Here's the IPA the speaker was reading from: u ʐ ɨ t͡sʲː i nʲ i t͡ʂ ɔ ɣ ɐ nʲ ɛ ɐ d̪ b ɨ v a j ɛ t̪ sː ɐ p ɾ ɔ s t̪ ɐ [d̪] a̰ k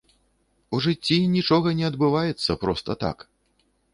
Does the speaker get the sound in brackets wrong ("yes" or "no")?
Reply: yes